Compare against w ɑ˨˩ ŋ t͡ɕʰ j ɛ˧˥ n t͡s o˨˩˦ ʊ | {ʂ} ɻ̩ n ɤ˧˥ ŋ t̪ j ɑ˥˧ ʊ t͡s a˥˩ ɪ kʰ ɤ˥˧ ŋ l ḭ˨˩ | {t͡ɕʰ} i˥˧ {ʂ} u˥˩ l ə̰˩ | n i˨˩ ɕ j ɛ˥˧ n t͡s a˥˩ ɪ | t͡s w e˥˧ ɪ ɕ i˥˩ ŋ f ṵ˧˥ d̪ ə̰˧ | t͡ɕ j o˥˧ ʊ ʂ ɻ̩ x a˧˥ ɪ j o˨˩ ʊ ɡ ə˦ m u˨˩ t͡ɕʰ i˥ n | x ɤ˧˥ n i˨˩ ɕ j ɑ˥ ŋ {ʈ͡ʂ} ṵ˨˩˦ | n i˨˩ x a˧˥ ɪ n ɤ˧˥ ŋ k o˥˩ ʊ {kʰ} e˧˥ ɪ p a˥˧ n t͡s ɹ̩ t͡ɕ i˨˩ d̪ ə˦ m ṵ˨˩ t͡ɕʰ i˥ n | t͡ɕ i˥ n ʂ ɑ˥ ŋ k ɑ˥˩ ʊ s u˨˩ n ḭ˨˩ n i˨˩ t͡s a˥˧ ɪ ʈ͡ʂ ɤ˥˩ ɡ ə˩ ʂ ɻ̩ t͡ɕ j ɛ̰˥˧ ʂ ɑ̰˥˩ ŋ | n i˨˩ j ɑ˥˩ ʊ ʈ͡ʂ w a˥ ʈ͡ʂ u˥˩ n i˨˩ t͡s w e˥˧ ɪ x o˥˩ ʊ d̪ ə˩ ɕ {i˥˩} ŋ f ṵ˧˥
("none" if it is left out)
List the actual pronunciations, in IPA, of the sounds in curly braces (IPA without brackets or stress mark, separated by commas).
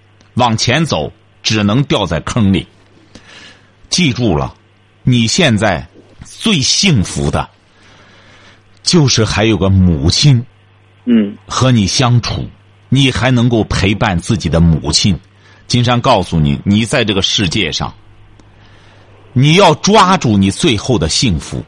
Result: ʈ͡ʂ, t͡ɕ, ʈ͡ʂ, ʈ͡ʂʰ, pʰ, i˥˩